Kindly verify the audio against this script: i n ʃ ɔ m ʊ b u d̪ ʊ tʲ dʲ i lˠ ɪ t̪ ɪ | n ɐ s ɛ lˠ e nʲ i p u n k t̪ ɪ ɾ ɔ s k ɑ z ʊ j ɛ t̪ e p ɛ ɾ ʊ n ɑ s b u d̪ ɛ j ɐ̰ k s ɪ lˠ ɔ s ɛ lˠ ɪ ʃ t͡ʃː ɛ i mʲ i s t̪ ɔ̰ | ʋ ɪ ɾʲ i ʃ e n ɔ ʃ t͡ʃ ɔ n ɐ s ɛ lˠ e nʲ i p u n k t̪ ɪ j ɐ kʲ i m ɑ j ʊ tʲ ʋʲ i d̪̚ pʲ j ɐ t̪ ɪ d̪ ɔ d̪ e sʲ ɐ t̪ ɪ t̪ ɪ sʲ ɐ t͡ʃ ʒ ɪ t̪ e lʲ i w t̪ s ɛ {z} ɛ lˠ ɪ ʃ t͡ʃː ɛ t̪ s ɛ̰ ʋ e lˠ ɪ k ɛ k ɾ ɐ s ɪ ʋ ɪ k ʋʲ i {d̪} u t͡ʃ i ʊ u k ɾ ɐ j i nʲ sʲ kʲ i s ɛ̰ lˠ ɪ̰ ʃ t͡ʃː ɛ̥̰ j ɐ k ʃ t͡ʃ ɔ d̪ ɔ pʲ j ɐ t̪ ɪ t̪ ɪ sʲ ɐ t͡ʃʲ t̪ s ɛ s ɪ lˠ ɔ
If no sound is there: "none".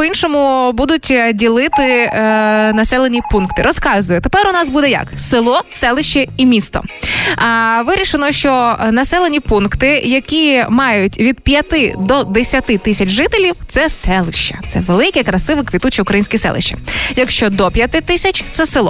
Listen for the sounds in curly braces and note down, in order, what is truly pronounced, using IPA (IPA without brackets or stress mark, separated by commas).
s, t̪